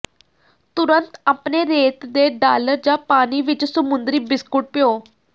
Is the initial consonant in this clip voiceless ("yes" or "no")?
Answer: yes